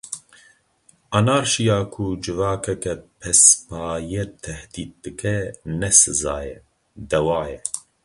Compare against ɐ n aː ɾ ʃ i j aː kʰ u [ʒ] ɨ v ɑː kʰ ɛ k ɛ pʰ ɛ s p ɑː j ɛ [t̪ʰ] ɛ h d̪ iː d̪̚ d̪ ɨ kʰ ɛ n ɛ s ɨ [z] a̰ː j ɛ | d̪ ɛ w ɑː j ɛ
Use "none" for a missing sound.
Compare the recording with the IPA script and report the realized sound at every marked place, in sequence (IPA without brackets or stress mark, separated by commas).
d͡ʒ, t̪ʰ, z